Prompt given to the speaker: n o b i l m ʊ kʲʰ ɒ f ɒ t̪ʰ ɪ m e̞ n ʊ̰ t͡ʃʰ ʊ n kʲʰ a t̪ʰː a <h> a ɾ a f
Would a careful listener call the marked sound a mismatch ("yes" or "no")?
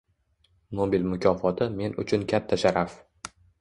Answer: yes